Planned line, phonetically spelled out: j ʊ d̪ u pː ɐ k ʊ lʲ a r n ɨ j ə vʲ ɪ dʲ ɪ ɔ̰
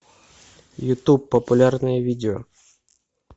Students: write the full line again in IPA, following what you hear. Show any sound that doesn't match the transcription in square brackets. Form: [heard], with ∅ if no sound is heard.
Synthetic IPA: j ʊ [t̪] u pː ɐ [p] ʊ lʲ a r n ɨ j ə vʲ [i] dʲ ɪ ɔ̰